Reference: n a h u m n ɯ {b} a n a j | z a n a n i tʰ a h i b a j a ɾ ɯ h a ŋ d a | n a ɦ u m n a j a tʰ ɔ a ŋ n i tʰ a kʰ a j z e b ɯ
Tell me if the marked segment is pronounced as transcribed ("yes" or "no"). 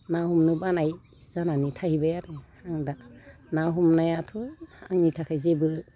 yes